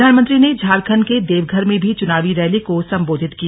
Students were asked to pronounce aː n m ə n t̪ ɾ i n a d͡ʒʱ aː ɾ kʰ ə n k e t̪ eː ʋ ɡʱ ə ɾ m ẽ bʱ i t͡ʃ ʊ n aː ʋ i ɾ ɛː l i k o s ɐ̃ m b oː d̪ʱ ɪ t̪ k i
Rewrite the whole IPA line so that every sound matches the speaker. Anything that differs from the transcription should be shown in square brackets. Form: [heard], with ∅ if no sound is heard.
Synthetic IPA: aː n m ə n t̪ ɾ i n [e] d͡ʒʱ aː ɾ kʰ ə n k e [d̪] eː ʋ ɡʱ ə ɾ m ẽ bʱ i t͡ʃ ʊ n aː ʋ i ɾ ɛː l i k o s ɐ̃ m b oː d̪ʱ ɪ t̪ k i